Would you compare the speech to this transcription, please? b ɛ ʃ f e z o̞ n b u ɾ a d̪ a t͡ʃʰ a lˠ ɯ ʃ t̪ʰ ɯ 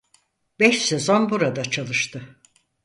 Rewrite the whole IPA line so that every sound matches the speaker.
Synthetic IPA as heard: b ɛ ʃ s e z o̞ n b u ɾ a d̪ a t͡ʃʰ a lˠ ɯ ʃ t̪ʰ ɯ